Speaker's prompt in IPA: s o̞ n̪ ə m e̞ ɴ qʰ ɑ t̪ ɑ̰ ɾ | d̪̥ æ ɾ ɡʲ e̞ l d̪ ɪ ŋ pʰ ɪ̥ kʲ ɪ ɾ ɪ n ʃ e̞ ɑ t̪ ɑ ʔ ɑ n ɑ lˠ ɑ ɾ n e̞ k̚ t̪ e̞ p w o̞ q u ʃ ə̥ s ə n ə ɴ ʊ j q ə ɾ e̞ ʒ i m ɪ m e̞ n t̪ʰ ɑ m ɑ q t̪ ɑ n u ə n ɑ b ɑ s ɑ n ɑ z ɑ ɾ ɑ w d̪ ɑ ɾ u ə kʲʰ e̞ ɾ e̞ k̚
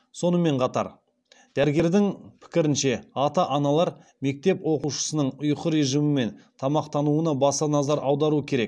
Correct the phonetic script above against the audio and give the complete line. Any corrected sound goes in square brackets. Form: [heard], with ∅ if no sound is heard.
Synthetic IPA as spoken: s o̞ n̪ ə m e̞ ɴ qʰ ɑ t̪ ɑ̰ ɾ | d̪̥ æ ɾ ɡʲ e̞ [ɾ] d̪ ɪ ŋ pʰ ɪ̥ kʲ ɪ ɾ ɪ n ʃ e̞ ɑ t̪ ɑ ʔ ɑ n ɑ lˠ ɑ ɾ [m] e̞ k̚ t̪ e̞ p w o̞ q u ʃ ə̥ s ə n ə ɴ ʊ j q ə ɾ e̞ ʒ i m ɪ m e̞ n t̪ʰ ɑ m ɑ q t̪ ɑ n u ə n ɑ b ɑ s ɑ n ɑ z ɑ ɾ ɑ w d̪ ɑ ɾ u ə kʲʰ e̞ ɾ e̞ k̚

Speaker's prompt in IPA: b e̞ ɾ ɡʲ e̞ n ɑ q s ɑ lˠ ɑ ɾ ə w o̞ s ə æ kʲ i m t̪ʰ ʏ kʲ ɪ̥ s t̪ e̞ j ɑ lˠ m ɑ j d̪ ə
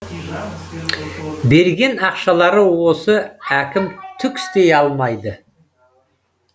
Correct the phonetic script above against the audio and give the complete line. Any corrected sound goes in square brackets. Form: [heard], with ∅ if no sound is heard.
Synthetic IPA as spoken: b e̞ ɾ ɡʲ e̞ n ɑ q [ʃ] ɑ lˠ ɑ ɾ ə w o̞ s ə æ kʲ [ɪ] m t̪ʰ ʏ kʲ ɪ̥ s t̪ e̞ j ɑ lˠ m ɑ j d̪ ə

